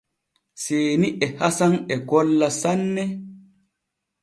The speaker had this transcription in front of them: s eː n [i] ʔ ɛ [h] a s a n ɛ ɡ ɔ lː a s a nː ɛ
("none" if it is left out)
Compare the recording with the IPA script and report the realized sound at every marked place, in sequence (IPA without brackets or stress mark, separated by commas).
i, h